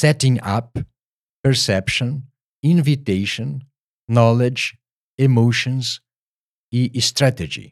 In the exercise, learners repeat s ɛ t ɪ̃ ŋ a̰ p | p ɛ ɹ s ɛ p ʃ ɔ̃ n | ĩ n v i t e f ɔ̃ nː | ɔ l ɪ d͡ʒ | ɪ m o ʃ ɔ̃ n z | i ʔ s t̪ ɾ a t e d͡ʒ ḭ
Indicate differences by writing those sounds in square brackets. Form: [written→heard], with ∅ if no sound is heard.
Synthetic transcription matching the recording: s ɛ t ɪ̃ ŋ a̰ p | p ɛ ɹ s ɛ p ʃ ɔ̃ n | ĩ n v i t e [f→ʃ] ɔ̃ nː | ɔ l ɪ d͡ʒ | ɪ m o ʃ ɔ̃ n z | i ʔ s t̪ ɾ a t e d͡ʒ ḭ